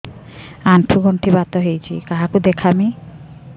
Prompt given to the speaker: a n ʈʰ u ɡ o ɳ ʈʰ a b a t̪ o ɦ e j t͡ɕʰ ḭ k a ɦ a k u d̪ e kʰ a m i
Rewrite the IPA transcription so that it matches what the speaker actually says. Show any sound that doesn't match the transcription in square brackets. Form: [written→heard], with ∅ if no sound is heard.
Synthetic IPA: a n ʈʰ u ɡ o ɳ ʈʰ [a→i] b a t̪ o ɦ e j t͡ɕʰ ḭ k a ɦ a k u d̪ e kʰ a m i

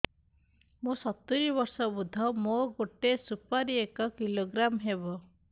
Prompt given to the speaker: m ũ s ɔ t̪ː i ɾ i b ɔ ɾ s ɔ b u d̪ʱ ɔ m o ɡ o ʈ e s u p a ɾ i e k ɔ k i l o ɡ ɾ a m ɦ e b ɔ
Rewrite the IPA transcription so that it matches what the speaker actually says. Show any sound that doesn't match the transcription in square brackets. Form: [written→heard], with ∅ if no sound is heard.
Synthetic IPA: m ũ s ɔ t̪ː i ɾ i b ɔ ɾ s ɔ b u d̪ʱ ɔ m o ɡ o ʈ e s u p a ɾ i e k ɔ k i l o ɡ ɾ a m ɦ e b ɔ

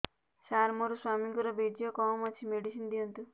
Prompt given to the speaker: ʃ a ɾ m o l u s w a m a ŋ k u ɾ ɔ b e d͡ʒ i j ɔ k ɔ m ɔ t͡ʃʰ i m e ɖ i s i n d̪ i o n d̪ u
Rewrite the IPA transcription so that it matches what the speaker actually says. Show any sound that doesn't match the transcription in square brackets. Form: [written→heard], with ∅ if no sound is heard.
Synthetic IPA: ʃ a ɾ m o [l→ɾ] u s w a m [a→i] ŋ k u ɾ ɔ b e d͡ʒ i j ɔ k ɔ m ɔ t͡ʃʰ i m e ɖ i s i n d̪ i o n [d̪→t̪] u

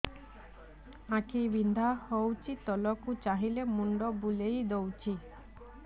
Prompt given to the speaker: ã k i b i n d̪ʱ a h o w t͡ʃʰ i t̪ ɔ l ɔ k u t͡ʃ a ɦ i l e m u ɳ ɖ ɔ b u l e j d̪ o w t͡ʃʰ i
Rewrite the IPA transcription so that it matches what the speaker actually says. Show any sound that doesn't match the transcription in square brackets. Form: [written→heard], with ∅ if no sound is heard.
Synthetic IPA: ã k i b i n d̪ʱ a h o w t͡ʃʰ i t̪ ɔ l ɔ k u t͡ʃ a ɦ i l e m u ɳ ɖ ɔ b u l e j d̪ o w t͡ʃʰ i

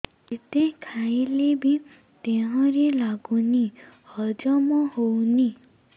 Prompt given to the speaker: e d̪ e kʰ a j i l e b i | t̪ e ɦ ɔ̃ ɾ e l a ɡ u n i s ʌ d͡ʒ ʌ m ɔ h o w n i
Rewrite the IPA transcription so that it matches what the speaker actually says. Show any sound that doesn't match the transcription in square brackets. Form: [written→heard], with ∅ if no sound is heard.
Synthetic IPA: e [d̪→t̪] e kʰ a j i l e b i | t̪ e ɦ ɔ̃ ɾ e l a ɡ u n i [s→h] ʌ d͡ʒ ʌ m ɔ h o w n i

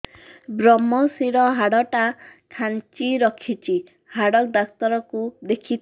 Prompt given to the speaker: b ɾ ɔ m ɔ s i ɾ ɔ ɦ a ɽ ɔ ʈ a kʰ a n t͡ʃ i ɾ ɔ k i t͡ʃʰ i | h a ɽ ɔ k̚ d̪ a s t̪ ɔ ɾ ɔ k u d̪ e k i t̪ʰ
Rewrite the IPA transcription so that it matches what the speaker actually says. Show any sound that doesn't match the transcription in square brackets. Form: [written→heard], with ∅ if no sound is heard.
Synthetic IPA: b ɾ ɔ m ɔ s i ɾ ɔ ɦ a ɽ ɔ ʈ a kʰ a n t͡ʃ i ɾ ɔ [k→kʰ] i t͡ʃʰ i | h a ɽ ɔ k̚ d̪ a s t̪ ɔ ɾ ɔ k u d̪ e [k→kʰ] i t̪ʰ

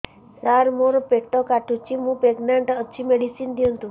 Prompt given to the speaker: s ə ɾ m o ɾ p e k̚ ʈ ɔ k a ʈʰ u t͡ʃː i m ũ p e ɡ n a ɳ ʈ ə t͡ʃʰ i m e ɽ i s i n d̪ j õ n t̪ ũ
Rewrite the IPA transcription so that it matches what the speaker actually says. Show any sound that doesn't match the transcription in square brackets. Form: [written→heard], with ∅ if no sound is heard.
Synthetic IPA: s [ə→a] ɾ m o ɾ p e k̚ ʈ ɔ k a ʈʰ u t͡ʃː i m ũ p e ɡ n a ɳ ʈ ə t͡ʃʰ i m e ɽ i s i n d̪ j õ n t̪ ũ

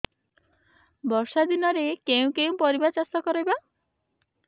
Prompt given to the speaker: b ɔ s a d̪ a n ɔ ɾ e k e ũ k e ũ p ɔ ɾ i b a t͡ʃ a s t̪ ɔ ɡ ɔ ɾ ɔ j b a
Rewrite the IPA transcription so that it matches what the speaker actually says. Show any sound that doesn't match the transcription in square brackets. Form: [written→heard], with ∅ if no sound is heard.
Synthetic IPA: b ɔ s a d̪ [a→i] n ɔ ɾ e k e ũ k e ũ p ɔ ɾ i b a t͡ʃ a s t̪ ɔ [ɡ→k] ɔ ɾ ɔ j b a

